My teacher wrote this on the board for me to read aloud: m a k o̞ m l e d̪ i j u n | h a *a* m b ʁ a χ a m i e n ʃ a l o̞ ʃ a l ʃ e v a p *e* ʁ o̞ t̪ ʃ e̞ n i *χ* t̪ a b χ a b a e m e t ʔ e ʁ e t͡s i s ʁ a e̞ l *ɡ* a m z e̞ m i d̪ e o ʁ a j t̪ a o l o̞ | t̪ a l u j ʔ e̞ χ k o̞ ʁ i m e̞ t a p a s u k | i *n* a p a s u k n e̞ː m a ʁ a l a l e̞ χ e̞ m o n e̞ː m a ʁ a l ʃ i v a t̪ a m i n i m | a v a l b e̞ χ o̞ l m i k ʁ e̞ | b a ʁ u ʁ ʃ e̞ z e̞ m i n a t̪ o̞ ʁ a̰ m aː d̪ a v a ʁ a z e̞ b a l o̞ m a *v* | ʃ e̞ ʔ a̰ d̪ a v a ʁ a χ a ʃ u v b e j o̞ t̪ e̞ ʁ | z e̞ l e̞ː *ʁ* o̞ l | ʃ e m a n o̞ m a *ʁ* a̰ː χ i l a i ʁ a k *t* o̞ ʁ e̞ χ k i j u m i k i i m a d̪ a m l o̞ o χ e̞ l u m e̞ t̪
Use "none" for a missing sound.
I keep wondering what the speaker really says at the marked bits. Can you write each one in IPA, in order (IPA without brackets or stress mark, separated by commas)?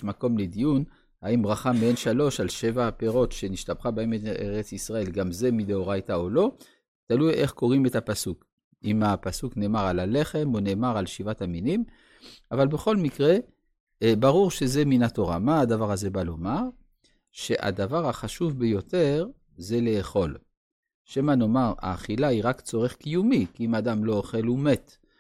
i, e, ʃ, ɡ, m, ʁ, χ, ʁ, t͡s